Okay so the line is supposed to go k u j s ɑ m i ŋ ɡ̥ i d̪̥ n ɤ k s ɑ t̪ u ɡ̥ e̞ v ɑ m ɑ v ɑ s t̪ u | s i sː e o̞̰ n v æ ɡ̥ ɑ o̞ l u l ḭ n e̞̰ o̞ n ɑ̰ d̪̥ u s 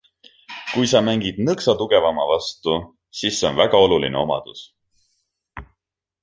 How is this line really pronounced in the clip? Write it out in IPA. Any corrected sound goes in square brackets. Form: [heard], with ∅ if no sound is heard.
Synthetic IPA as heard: k u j s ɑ m [æ] ŋ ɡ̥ i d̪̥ n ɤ k s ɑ t̪ u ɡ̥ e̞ v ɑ m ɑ v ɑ s t̪ u | s i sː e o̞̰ n v æ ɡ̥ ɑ o̞ l u l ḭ n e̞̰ o̞ [m] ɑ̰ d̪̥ u s